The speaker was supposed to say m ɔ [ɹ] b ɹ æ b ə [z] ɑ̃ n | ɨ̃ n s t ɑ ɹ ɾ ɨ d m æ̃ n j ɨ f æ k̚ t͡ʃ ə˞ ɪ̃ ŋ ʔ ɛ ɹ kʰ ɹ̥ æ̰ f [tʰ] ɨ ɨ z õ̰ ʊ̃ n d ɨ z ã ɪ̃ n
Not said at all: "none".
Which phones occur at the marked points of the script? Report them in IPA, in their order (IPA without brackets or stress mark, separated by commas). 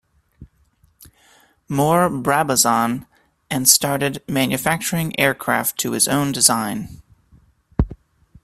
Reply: ɹ, z, tʰ